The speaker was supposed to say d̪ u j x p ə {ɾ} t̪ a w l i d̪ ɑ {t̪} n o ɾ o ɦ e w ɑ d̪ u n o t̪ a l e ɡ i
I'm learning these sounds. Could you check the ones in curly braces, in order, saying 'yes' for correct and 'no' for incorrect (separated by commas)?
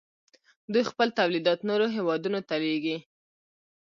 no, yes